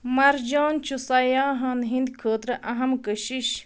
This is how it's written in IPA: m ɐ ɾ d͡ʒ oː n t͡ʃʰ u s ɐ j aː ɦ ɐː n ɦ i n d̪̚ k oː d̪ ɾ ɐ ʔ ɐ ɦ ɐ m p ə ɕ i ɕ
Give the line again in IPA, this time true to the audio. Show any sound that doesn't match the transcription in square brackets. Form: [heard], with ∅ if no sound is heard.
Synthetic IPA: m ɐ ɾ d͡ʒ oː n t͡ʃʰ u s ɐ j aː ɦ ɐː n ɦ i n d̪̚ [kʰ] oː [t̪] ɾ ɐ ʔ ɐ ɦ ɐ m [k] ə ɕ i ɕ

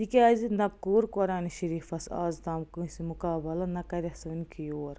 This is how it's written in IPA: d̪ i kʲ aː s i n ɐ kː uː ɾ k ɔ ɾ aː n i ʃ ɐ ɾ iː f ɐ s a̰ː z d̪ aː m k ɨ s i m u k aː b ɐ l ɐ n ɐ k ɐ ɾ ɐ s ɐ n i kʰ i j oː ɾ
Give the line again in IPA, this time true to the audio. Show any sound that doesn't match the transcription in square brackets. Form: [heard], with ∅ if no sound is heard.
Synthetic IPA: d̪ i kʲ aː [z] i n ɐ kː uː ɾ k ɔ ɾ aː n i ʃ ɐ ɾ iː f ɐ s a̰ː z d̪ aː m k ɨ s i m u k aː b ɐ l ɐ n ɐ k ɐ ɾ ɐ s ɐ n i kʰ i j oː ɾ

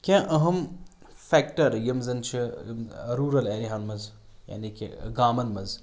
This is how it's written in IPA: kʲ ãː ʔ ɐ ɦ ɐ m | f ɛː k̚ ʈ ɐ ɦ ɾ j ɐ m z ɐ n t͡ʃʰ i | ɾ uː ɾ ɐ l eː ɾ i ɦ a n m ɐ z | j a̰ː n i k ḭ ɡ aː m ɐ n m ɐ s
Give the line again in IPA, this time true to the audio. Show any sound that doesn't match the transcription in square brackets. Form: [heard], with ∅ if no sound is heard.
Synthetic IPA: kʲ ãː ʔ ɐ ɦ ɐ m | f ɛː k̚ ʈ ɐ [∅] ɾ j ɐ m z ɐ n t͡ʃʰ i | ɾ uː ɾ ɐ l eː ɾ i ɦ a n m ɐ z | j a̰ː n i k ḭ ɡ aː m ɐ n m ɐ [z]

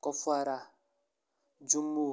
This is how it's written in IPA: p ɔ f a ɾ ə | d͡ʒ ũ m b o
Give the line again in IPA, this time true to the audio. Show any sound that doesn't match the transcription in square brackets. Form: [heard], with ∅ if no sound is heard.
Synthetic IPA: [k] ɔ f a ɾ [a] | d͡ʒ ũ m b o

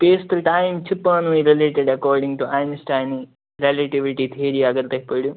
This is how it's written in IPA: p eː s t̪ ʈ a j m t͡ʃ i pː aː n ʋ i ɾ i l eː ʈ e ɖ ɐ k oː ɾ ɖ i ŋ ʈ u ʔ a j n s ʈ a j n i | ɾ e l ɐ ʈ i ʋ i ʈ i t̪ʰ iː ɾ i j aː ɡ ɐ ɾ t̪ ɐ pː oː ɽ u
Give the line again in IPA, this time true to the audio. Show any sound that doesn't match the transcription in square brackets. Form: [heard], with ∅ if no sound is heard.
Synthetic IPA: p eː s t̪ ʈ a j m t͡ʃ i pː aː n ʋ i ɾ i l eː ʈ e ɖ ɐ k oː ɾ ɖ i ŋ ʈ u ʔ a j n s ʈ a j n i | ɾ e l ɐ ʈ i ʋ i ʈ i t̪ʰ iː ɾ i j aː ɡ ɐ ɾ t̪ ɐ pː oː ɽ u

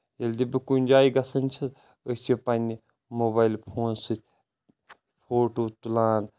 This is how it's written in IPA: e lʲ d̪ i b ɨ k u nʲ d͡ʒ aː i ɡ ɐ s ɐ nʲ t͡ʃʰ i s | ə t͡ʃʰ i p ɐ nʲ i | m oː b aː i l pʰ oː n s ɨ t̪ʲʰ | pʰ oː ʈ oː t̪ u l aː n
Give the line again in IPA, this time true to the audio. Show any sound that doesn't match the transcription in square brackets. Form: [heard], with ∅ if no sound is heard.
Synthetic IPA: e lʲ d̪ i b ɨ k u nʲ d͡ʒ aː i ɡ ɐ s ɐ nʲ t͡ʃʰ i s | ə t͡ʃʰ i p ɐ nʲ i | m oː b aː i l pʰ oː n s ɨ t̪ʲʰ | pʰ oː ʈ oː t̪ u l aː n

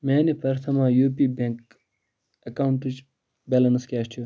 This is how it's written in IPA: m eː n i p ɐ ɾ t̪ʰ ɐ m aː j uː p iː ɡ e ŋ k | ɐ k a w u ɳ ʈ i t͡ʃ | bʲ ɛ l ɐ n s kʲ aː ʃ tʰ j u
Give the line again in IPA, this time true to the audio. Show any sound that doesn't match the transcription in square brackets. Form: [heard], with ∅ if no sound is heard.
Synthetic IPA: m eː n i p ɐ ɾ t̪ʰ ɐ m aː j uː p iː [b] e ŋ k | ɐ k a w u ɳ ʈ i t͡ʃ | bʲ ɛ l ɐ n s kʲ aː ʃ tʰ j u

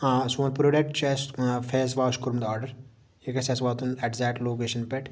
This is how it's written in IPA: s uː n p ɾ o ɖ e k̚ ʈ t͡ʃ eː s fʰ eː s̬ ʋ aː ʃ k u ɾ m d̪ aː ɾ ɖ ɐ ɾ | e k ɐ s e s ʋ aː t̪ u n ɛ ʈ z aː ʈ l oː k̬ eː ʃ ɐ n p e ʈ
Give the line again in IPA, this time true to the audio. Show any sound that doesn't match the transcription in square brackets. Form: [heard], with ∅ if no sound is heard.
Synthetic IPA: s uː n p ɾ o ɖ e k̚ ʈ t͡ʃ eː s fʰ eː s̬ ʋ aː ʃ k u ɾ m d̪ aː ɾ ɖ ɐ ɾ | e k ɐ s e s ʋ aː t̪ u n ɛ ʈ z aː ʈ l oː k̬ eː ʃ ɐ n p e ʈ

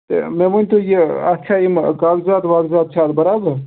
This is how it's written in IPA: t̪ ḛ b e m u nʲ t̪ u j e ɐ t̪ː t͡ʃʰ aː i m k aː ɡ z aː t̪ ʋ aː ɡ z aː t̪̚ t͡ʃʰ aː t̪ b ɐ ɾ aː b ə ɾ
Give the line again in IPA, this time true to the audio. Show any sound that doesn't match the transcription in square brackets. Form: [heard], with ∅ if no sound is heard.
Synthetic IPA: t̪ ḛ [m] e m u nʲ t̪ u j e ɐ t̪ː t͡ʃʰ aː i m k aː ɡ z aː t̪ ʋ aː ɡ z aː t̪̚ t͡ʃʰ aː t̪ b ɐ ɾ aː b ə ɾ

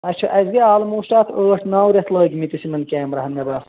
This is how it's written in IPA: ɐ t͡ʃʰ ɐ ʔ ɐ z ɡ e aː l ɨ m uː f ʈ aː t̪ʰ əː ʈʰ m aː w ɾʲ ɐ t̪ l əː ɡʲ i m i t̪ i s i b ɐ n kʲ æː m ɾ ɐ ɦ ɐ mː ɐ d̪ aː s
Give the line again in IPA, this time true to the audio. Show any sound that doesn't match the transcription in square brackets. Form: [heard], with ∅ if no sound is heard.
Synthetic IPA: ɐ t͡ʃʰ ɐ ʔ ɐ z ɡ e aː l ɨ m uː [ʃ] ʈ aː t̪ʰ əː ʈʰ [n] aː w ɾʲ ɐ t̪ l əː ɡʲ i m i t̪ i s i [m] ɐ n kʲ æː m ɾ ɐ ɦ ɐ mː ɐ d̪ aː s

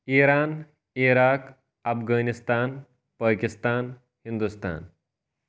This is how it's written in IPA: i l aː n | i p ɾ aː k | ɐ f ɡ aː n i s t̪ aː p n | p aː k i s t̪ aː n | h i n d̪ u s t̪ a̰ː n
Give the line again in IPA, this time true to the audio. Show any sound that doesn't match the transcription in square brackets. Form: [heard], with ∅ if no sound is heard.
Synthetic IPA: i [ɾ] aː n | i [∅] ɾ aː k | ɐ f ɡ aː n i s t̪ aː [∅] n | p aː k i s t̪ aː n | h i n d̪ u s t̪ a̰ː n

